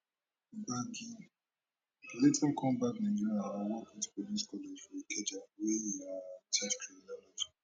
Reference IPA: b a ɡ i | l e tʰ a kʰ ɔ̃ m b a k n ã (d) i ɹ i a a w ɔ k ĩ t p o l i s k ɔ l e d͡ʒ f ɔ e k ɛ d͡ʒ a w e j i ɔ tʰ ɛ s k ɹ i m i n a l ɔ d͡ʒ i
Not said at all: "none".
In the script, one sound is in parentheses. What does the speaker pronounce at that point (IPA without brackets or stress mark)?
d͡ʒ